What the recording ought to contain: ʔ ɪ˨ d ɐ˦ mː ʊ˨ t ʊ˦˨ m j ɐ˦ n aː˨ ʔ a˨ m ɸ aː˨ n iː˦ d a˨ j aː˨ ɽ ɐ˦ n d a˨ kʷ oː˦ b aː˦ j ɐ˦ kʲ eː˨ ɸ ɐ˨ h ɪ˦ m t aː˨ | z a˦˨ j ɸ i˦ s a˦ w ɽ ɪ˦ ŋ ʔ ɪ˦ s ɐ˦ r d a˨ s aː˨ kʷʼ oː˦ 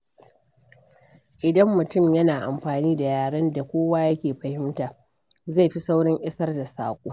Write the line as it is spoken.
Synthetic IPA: ʔ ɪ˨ d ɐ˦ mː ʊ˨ t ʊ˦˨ m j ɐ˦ n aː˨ ʔ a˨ m ɸ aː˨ n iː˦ d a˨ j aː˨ ɽ ɐ˦ n d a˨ kʷ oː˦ w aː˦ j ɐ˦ kʲ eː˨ ɸ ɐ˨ h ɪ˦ m t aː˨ | z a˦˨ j ɸ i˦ s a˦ w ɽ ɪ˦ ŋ ʔ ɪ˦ s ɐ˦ r d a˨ s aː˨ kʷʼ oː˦